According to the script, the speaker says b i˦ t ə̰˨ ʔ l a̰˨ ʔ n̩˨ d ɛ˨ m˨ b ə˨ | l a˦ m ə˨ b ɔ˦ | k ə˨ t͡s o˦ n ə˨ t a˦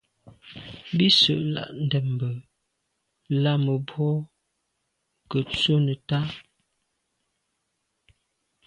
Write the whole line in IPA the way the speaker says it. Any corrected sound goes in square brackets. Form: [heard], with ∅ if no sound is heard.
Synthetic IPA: b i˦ [s] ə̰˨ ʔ l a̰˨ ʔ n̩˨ d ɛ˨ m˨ b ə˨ | l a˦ m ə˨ b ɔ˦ | k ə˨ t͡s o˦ n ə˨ t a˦